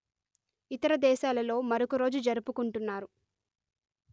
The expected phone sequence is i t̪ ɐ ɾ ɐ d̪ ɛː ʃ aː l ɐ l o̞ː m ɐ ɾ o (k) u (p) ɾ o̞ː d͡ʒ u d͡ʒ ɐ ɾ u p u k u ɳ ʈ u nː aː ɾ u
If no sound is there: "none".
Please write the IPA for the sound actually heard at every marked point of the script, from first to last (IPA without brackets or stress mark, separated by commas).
k, none